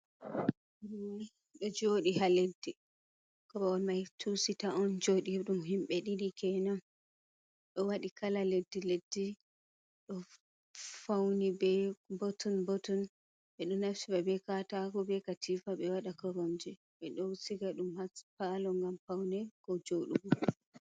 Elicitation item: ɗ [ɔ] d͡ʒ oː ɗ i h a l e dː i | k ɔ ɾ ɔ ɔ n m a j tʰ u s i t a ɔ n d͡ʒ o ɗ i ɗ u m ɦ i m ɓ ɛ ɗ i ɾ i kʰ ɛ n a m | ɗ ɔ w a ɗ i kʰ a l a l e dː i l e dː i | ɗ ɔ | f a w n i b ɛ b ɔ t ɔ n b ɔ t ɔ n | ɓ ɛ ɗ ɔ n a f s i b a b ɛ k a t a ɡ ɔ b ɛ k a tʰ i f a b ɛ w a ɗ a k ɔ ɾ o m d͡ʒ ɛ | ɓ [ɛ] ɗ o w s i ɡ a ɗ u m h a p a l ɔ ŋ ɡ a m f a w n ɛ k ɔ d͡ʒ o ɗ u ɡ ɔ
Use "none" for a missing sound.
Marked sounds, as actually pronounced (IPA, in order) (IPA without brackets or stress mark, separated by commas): ɔ, ɛ